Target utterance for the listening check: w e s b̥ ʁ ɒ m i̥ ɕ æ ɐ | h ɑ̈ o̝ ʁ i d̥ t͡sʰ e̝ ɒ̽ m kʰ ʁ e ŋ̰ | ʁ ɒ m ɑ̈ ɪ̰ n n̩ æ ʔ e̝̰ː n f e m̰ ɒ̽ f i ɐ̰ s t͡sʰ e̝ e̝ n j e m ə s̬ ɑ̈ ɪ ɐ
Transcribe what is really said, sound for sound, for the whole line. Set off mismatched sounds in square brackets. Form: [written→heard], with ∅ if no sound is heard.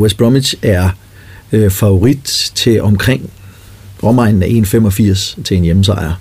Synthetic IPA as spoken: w e s b̥ ʁ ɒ m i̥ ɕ æ ɐ | [h→f] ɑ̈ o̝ ʁ i d̥ t͡sʰ e̝ ɒ̽ m kʰ ʁ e ŋ̰ | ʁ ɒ m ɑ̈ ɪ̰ n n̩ æ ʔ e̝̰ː n f e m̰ ɒ̽ f i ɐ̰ s t͡sʰ e̝ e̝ n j e m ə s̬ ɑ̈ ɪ ɐ